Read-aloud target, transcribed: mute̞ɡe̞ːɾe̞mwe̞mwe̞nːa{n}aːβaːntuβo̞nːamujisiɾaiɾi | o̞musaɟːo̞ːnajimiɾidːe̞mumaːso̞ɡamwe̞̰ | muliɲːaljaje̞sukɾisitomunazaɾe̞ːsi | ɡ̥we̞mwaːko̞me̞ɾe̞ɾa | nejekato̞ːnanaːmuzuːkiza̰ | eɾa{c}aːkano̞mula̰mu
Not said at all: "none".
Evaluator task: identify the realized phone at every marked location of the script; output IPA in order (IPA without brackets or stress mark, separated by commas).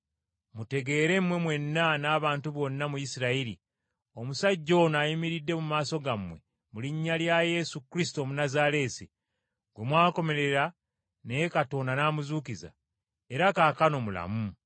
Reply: n, k